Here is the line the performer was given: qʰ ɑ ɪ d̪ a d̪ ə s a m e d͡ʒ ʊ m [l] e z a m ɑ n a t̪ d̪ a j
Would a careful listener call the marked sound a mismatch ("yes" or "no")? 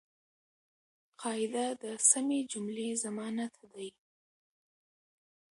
no